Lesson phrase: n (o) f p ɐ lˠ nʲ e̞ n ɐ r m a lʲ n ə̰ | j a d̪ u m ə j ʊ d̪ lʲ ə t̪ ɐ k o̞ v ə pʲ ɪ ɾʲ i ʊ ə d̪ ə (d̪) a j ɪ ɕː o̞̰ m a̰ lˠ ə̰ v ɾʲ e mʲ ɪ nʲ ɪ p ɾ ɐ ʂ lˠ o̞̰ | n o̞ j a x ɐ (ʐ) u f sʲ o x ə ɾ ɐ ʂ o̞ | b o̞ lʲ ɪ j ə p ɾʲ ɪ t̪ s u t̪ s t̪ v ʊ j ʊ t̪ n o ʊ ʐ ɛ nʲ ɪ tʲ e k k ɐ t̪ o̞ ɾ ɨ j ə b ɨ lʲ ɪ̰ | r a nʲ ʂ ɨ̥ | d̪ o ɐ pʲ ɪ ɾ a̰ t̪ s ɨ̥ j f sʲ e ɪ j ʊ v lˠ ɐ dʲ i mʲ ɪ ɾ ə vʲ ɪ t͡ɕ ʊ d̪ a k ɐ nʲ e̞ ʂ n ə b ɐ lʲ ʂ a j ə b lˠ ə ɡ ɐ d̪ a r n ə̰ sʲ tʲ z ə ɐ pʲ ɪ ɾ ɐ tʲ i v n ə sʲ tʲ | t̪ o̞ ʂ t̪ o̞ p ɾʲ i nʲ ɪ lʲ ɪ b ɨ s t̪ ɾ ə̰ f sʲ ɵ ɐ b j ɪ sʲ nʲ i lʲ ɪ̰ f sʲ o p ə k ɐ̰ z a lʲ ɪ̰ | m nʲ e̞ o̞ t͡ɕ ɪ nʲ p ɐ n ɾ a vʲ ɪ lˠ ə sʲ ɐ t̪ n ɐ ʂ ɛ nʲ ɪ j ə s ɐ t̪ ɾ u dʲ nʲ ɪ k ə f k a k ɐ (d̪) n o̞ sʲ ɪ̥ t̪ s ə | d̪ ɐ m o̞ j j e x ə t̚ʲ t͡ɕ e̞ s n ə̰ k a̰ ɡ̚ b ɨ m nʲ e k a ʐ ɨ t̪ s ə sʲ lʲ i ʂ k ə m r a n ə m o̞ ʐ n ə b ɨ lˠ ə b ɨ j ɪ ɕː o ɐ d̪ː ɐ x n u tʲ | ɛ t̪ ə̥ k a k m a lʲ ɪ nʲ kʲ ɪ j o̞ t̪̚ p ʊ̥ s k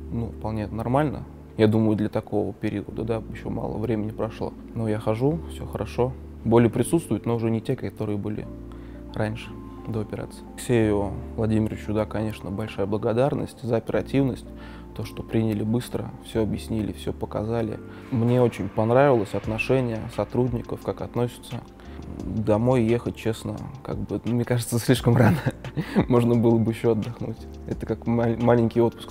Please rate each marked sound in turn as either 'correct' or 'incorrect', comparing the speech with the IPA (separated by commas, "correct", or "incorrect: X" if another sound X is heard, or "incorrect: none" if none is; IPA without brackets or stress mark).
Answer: incorrect: u, correct, correct, incorrect: t̪